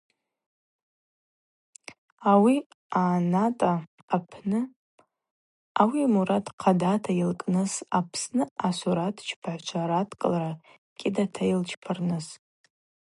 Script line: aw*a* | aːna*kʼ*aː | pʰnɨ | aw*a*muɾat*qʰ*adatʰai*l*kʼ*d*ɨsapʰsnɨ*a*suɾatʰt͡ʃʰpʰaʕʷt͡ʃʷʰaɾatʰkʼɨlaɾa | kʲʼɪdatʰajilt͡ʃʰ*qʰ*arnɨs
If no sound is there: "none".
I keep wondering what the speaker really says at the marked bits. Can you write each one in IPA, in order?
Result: i, tʼ, i, qʰ, l, n, a, pʰ

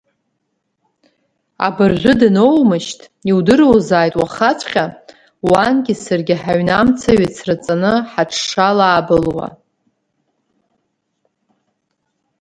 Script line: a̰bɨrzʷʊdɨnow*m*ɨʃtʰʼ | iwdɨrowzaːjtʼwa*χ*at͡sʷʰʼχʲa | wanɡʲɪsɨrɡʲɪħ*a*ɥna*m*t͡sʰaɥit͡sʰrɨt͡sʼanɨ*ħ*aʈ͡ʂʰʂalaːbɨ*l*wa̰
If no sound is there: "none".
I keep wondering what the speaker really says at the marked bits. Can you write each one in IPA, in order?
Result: m, χ, a, m, ħ, l

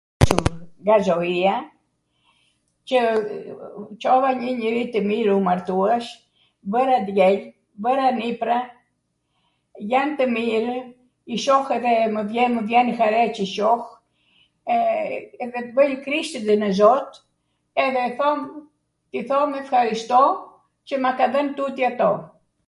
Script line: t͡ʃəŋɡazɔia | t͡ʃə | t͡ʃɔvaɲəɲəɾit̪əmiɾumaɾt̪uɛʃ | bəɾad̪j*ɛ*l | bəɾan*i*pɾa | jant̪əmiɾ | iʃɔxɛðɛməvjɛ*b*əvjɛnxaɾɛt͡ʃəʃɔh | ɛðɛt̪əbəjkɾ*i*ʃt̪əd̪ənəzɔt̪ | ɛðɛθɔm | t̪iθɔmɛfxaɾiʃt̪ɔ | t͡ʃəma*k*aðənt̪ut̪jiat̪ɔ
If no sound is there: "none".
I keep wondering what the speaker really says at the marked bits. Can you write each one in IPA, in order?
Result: ɛ, i, m, i, k

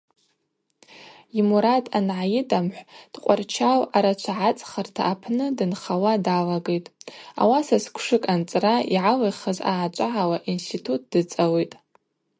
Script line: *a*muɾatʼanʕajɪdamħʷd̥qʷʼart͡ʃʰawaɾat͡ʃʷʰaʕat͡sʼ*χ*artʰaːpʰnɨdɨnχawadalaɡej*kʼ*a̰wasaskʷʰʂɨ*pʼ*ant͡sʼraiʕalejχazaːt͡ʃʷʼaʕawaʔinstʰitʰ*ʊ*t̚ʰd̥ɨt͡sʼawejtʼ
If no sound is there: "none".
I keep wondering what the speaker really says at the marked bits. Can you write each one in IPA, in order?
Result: i, χ, tʼ, kʼ, u

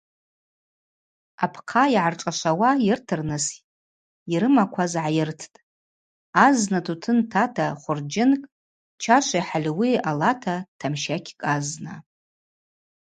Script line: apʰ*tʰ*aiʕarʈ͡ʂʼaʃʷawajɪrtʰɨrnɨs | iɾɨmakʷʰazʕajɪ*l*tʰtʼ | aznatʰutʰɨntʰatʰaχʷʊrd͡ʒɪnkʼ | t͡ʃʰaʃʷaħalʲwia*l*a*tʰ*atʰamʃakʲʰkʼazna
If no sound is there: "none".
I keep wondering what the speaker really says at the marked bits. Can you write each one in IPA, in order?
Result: qʰ, r, l, tʰ

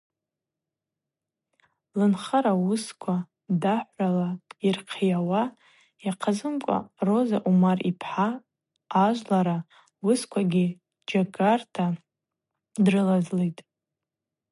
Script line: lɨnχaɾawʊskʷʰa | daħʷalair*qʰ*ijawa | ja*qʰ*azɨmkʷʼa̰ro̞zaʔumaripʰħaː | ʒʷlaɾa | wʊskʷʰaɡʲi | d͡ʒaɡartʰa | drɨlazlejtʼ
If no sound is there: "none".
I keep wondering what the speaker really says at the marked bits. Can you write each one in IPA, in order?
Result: qʰ, qʰ

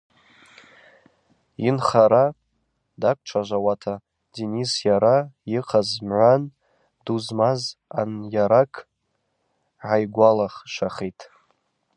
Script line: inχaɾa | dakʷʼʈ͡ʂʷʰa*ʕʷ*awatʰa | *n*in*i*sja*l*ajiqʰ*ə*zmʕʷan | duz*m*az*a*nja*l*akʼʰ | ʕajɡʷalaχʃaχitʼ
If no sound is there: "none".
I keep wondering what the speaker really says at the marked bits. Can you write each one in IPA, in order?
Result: ʒʷ, d, i, ɾ, a, m, a, ɾ

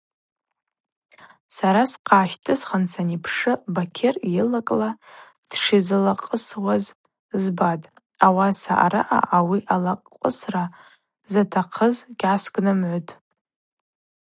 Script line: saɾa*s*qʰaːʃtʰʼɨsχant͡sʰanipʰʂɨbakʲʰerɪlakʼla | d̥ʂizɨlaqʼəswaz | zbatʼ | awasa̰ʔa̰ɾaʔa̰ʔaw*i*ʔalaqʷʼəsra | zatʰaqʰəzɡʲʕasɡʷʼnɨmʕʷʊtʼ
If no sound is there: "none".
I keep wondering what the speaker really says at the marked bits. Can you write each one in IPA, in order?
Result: s, i

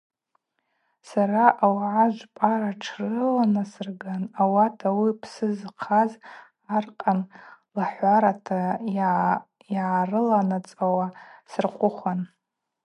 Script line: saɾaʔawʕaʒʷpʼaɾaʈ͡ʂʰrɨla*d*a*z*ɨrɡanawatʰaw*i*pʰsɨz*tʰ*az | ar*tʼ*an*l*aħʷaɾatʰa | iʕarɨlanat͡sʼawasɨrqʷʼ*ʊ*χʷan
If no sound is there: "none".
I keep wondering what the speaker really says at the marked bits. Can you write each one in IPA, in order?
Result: n, s, i, qʰ, qʼ, l, ʊ

